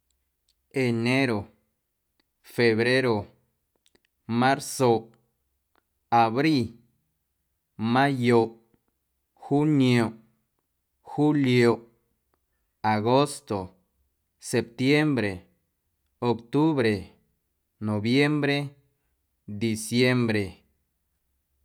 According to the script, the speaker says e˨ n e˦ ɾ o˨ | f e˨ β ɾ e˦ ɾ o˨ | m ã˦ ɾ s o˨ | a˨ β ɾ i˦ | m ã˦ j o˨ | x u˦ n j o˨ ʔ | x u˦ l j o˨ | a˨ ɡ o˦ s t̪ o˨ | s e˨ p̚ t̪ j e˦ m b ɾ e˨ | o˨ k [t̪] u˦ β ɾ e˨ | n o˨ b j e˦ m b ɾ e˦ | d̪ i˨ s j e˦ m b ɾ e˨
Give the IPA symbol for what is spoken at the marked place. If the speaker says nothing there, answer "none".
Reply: t̪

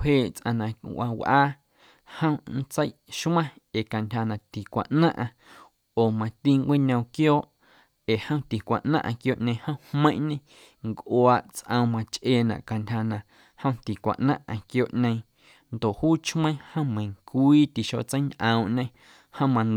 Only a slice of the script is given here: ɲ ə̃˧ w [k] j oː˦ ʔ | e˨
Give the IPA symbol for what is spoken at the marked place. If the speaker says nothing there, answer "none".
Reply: k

